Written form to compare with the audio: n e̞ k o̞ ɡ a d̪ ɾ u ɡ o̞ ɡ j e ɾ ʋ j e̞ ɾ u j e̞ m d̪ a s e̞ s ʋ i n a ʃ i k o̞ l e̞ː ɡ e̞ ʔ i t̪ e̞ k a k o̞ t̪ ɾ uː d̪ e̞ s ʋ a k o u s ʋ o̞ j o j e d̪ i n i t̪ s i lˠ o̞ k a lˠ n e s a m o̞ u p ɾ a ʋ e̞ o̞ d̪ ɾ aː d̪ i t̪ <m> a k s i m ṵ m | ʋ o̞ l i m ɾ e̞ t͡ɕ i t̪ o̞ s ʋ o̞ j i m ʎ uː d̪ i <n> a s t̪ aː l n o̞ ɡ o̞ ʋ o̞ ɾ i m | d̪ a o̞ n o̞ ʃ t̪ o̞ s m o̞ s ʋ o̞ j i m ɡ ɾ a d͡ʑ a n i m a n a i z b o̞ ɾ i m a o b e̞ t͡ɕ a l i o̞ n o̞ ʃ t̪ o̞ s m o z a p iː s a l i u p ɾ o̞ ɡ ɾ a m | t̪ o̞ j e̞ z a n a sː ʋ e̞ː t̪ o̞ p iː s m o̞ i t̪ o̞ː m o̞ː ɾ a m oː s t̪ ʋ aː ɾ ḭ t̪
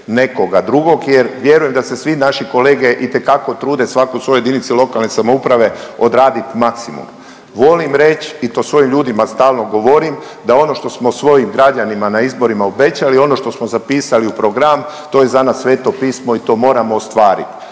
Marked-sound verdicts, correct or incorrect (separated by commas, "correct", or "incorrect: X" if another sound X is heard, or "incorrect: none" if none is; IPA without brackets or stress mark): correct, incorrect: m